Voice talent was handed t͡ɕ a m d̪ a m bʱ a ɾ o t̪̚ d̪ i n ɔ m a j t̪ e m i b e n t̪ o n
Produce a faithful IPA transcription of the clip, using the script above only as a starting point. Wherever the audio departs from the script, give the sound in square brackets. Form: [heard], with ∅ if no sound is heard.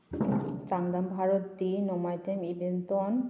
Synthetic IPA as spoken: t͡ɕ a [ŋ] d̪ a m bʱ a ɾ o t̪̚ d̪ i n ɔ m a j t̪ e m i b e n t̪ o n